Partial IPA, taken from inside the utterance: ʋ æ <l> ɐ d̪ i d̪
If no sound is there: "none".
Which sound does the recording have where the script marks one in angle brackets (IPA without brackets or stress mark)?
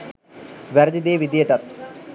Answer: ɾ